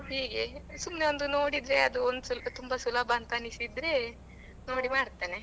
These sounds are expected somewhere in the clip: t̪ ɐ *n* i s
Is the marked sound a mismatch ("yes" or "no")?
no